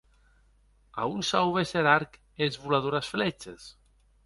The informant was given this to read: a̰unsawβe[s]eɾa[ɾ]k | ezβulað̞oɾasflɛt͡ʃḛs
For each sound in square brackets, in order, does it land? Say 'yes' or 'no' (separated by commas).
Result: yes, yes